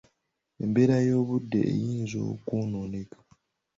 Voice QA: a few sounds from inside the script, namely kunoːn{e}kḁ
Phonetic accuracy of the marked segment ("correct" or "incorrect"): correct